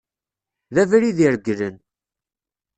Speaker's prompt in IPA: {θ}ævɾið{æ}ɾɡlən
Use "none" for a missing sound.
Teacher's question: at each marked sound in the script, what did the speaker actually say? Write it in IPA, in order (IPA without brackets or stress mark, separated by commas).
ð, i